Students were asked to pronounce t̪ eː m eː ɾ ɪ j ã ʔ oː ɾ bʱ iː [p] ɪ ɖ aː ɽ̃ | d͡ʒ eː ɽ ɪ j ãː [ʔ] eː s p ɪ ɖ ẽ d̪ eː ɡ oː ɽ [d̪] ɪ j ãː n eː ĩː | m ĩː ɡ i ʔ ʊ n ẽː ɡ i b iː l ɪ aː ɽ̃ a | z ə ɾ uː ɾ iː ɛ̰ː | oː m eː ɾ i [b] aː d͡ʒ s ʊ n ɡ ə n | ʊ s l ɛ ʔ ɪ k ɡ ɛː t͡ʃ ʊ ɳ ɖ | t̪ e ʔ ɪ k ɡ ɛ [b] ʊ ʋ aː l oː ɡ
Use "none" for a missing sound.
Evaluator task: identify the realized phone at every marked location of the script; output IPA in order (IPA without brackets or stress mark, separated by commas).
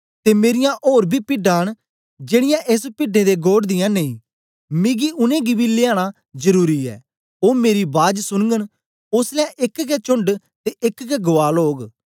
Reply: p, ʔ, d̪, b, ɡ